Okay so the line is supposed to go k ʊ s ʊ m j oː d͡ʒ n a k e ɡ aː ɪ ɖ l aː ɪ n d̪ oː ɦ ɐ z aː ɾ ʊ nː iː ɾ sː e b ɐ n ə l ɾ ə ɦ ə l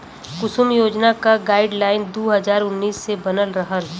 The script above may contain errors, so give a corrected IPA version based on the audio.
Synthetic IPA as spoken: k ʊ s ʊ m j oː d͡ʒ n a k a ɡ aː ɪ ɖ l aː ɪ n d̪ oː ɦ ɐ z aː ɾ ʊ nː iː sː e b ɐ n ə l ɾ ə ɦ ə l